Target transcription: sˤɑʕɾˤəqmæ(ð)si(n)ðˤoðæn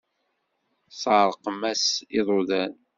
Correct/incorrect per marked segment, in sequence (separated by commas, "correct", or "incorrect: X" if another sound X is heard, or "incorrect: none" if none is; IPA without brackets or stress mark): incorrect: none, incorrect: none